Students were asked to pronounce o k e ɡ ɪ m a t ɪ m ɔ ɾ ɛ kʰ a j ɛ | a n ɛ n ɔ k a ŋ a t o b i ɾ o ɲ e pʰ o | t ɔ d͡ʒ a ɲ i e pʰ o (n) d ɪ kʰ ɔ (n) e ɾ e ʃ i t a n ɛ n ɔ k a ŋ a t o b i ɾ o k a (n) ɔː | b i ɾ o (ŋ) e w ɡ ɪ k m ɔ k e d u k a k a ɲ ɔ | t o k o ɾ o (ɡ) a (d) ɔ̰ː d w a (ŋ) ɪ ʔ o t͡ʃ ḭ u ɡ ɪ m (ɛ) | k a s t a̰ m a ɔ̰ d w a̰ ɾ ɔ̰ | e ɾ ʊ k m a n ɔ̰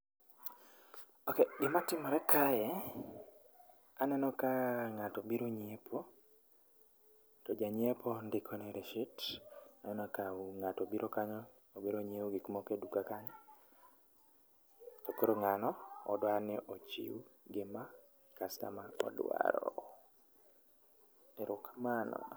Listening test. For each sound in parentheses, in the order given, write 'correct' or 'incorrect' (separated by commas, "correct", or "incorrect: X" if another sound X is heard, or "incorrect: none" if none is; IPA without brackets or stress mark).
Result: correct, correct, incorrect: ɲ, incorrect: ɲ, incorrect: ŋ, incorrect: n, incorrect: n, incorrect: a